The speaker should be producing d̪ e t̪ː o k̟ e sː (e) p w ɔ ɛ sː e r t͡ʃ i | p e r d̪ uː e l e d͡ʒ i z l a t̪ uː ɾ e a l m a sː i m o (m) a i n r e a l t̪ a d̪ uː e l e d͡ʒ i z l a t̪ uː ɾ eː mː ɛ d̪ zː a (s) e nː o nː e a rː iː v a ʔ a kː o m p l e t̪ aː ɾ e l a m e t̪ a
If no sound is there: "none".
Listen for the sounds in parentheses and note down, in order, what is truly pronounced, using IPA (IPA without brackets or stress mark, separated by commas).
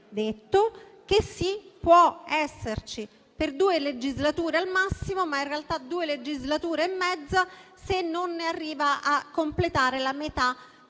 i, m, s